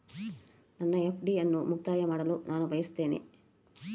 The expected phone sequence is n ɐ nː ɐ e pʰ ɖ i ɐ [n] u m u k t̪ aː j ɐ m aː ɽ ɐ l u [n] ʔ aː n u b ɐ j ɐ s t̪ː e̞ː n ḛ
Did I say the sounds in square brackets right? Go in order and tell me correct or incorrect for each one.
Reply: incorrect: nː, correct

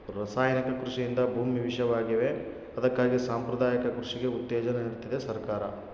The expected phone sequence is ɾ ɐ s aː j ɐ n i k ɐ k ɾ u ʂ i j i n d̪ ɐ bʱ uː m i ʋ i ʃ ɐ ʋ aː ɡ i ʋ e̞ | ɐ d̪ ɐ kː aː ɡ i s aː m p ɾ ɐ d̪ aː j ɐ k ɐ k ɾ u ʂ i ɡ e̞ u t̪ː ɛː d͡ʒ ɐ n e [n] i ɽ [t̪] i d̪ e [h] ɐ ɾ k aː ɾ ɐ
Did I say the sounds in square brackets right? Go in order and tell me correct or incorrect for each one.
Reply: correct, correct, incorrect: s

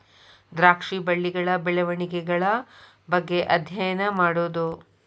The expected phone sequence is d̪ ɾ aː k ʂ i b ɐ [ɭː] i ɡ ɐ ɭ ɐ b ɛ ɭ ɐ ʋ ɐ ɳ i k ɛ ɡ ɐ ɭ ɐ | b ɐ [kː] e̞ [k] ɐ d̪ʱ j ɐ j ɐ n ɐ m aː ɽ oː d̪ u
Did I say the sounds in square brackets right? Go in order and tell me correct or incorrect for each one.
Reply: correct, incorrect: ɡː, incorrect: ʔ

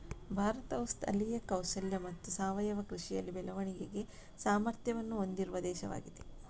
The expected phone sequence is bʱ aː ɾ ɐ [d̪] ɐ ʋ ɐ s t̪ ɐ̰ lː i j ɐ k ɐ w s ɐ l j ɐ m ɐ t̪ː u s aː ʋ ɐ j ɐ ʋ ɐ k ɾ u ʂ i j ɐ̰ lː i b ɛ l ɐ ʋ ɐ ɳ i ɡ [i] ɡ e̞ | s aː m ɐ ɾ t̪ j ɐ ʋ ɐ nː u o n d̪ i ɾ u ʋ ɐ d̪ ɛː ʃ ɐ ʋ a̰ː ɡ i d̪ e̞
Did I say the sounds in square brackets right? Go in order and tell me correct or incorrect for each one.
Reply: incorrect: t̪, incorrect: e

